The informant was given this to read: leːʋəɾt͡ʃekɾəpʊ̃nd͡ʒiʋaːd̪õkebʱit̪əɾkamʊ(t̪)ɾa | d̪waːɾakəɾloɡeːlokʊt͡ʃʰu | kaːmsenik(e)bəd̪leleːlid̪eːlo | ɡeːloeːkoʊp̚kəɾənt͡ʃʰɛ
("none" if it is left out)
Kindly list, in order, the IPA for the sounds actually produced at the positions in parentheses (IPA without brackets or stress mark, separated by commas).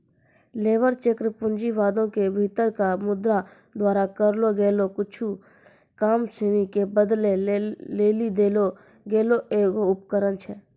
d̪, e